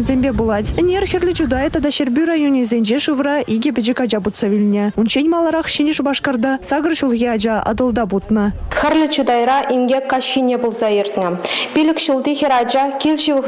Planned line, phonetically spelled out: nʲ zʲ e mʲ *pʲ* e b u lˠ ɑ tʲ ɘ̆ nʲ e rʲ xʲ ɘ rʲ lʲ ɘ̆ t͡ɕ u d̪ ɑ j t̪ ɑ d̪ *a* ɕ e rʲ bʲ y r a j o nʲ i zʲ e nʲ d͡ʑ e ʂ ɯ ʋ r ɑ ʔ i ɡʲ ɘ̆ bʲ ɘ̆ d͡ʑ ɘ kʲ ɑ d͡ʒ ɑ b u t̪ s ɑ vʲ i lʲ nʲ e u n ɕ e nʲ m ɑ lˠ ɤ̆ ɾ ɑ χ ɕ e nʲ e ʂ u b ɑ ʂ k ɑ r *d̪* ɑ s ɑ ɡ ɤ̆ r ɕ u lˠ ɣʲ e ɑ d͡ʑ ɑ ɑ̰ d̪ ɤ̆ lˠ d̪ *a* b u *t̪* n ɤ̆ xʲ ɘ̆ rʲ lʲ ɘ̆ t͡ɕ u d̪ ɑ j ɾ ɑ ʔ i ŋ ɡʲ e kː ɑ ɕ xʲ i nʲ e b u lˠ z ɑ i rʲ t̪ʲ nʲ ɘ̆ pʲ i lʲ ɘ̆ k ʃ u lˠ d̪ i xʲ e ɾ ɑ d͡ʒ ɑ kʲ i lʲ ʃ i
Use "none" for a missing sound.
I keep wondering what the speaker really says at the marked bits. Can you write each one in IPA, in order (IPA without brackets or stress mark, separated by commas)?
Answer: bʲ, ɑ, d̪, ɑ, t̪